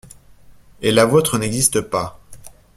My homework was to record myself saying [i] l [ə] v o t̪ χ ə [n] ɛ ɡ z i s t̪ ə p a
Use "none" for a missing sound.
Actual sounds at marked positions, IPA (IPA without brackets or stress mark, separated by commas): e, a, n